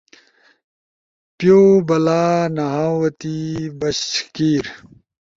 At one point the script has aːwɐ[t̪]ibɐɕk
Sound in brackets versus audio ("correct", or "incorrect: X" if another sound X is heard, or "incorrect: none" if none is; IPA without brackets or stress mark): correct